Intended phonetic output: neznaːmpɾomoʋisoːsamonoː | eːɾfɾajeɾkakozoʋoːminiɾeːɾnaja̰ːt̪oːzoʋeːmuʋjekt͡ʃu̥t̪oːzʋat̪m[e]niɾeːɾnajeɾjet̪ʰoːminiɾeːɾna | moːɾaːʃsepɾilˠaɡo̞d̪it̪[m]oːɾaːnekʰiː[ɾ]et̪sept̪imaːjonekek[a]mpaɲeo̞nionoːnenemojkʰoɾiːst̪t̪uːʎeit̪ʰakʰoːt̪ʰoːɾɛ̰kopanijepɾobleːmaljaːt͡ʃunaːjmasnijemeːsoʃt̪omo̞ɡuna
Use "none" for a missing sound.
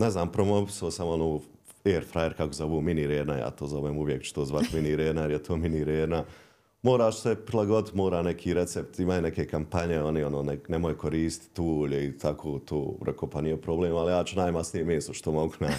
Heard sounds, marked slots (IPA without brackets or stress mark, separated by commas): i, m, ɾ, a